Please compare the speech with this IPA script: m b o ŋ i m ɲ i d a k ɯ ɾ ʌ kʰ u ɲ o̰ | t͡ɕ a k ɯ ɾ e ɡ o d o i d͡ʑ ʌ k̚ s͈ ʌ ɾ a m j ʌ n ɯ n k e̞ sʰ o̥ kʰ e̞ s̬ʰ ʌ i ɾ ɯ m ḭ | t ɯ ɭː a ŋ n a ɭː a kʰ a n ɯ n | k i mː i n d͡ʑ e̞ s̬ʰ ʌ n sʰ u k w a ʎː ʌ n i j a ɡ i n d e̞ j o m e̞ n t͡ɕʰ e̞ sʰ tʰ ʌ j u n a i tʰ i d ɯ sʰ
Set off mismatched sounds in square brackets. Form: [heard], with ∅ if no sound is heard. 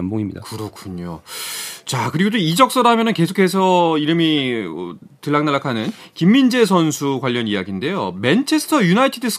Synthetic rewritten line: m b o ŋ i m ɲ i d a k ɯ ɾ ʌ kʰ u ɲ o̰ | t͡ɕ a k ɯ ɾ [i] ɡ o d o i d͡ʑ ʌ k̚ s͈ ʌ ɾ a m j ʌ n ɯ n k e̞ sʰ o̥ kʰ e̞ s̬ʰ ʌ i ɾ ɯ m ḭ | t ɯ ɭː a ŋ n a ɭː a kʰ a n ɯ n | k i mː i n d͡ʑ e̞ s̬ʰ ʌ n sʰ u k w a ʎː ʌ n i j a ɡ i n d e̞ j o m e̞ n t͡ɕʰ e̞ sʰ tʰ ʌ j u n a i tʰ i d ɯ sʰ